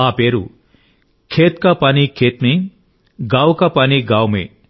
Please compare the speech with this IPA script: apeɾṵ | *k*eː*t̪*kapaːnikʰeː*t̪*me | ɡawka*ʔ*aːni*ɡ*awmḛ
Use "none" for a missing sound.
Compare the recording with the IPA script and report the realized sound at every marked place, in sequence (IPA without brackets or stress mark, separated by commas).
kʰ, t̪, t̪, p, ɡ